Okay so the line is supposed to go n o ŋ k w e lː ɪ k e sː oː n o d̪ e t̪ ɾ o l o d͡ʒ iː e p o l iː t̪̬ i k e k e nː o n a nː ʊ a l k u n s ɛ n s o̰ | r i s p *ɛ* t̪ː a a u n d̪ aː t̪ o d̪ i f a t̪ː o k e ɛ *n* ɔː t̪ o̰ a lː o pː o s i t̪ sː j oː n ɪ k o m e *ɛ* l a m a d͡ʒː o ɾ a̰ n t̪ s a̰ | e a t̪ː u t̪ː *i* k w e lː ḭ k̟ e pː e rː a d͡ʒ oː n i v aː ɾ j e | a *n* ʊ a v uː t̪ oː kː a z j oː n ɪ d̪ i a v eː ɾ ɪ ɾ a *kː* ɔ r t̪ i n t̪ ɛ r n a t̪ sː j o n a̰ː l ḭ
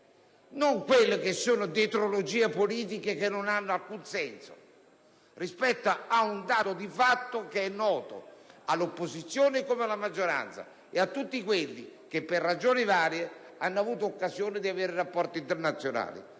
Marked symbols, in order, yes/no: yes, no, no, yes, no, no

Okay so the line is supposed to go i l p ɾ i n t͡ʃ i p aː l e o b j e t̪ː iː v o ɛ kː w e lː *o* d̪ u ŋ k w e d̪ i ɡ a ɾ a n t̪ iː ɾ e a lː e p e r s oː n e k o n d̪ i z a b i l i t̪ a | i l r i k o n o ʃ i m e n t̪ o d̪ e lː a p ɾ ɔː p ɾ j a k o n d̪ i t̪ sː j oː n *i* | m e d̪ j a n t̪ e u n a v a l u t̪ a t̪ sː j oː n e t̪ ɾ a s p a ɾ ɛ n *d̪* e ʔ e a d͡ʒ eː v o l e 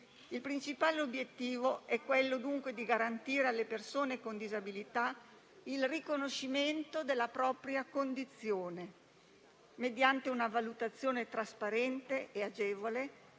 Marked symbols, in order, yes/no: yes, no, no

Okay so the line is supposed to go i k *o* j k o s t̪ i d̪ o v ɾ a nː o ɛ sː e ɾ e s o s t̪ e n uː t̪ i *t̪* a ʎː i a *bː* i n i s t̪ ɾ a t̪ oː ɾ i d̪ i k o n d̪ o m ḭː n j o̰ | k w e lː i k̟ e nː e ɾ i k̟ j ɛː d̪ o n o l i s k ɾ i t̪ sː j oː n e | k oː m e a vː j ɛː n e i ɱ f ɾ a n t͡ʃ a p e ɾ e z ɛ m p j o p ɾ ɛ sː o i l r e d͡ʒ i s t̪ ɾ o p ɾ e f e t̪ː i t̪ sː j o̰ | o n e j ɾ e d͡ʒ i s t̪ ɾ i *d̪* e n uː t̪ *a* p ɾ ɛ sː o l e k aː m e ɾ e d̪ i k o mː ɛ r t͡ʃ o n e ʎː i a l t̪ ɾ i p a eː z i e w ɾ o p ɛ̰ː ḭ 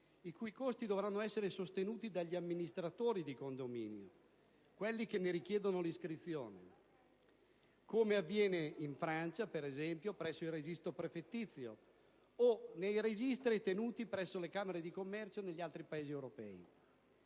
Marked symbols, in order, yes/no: no, no, no, no, no

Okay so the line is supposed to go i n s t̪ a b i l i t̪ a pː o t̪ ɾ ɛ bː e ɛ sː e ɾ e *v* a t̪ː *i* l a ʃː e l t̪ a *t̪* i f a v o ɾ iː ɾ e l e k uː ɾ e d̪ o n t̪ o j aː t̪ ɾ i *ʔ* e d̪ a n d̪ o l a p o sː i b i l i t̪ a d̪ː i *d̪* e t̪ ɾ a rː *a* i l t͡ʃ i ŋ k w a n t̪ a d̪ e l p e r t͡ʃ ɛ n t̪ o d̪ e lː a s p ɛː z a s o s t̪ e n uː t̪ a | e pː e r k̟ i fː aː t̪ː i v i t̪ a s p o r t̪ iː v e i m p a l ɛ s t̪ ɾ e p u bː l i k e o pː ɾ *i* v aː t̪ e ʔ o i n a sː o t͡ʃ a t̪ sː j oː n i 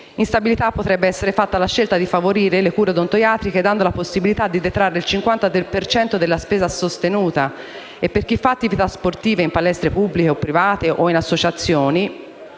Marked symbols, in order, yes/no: no, no, no, no, yes, no, yes

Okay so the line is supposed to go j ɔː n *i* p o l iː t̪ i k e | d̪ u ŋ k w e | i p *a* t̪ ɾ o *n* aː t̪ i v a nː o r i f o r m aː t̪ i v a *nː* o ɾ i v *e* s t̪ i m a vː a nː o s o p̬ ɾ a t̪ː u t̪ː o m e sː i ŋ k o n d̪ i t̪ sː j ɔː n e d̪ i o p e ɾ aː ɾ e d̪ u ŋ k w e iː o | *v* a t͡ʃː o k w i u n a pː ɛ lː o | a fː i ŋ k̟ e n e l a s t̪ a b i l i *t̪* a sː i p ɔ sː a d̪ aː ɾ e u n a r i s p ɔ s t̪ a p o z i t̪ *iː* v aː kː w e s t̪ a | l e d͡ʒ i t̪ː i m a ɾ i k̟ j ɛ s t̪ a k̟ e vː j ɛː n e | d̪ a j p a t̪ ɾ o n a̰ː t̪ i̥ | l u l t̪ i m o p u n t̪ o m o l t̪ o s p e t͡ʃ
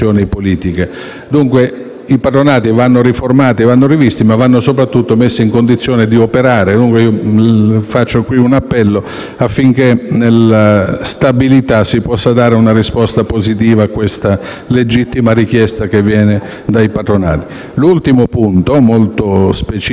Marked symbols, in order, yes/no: yes, yes, yes, yes, no, no, yes, yes

